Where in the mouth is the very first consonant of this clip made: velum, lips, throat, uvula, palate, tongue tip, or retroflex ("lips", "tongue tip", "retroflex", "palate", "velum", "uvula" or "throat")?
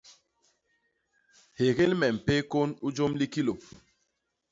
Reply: throat